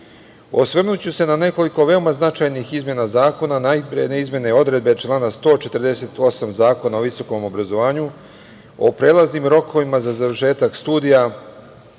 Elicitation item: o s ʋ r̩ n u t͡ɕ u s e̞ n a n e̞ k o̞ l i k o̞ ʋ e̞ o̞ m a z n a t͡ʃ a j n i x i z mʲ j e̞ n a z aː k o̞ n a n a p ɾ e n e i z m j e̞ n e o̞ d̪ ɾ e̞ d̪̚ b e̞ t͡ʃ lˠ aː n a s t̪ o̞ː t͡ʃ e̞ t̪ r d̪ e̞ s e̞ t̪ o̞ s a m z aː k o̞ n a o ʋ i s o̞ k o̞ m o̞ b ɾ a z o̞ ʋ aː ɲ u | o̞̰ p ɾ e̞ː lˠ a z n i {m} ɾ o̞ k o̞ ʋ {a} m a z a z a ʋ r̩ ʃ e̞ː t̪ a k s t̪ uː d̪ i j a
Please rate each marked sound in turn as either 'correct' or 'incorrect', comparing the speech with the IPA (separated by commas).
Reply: correct, incorrect